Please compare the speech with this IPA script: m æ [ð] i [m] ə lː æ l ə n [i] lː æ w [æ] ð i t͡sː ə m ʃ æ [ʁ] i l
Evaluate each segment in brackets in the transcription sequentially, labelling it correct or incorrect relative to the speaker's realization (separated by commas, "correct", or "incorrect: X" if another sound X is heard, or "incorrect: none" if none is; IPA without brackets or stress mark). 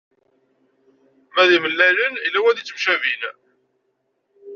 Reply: correct, correct, correct, correct, incorrect: v